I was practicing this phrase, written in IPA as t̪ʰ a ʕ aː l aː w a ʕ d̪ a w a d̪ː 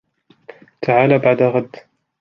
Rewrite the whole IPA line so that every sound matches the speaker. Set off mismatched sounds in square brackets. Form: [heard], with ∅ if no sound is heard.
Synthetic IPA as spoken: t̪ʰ a ʕ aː l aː [b] a ʕ d̪ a [ɣ] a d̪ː